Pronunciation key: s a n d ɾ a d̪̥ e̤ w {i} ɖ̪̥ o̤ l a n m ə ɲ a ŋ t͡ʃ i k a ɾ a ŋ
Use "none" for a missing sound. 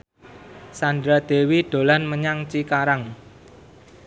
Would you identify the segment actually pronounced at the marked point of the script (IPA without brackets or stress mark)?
i